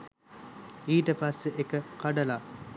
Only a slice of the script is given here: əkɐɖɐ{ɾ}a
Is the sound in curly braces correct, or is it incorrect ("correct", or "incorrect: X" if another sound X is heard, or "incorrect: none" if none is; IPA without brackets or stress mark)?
incorrect: l